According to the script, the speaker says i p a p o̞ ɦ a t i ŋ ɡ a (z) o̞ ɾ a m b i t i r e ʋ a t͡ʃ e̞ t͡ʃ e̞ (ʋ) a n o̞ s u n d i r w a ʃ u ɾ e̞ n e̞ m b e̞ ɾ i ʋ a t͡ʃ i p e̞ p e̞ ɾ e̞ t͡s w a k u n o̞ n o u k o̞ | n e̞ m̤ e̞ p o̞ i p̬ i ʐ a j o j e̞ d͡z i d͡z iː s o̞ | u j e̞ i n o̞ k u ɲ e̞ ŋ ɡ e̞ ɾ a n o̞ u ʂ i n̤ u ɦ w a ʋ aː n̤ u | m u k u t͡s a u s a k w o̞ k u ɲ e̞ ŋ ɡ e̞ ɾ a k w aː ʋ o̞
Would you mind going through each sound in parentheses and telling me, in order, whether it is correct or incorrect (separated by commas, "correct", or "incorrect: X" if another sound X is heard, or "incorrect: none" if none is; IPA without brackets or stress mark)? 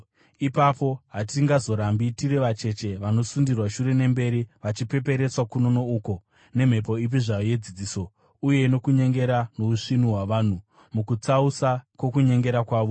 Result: correct, correct